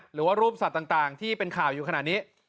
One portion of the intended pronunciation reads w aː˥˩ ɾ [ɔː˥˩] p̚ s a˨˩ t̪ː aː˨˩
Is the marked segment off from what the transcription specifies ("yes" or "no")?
yes